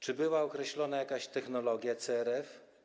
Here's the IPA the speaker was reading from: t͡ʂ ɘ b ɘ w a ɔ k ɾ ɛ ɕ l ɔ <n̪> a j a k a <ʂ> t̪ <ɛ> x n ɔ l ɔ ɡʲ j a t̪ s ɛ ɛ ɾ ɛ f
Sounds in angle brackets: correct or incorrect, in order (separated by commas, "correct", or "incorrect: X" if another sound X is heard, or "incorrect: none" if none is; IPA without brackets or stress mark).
correct, incorrect: ɕ, correct